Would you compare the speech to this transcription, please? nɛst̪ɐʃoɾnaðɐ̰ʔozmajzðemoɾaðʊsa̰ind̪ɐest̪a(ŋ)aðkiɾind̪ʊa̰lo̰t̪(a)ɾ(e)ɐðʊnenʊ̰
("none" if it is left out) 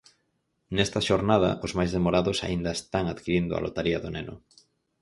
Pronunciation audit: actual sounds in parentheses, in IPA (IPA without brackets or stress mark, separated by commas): ŋ, a, i